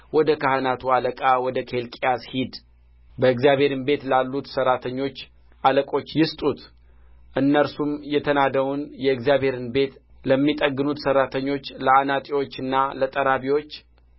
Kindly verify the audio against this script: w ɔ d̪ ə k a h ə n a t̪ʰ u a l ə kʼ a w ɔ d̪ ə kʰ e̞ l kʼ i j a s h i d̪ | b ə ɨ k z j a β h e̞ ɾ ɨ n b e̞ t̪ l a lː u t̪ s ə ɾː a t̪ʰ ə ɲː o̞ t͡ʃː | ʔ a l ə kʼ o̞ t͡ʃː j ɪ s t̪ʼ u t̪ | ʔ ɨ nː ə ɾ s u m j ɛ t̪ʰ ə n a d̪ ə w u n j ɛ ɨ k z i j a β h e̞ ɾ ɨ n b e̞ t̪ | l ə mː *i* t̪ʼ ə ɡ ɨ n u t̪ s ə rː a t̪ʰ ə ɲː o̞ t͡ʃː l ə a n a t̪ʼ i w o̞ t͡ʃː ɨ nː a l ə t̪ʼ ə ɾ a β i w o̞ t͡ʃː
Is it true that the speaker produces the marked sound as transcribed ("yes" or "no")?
yes